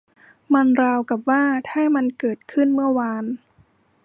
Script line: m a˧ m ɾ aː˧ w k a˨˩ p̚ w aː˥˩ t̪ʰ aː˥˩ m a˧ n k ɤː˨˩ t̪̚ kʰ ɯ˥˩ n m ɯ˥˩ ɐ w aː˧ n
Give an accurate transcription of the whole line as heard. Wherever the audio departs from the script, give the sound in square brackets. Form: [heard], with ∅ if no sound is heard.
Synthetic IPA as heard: m a˧ [n] ɾ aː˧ w k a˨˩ p̚ w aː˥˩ t̪ʰ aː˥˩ m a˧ n k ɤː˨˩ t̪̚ kʰ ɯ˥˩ n m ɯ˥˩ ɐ w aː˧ n